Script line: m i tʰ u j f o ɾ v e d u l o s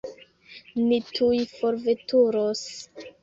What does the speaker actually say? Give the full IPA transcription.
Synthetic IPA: n i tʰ u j f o ɾ v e t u ɾ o s